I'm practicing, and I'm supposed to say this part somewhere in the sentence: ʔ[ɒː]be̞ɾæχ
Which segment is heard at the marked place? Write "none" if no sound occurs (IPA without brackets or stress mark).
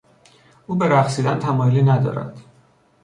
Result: uː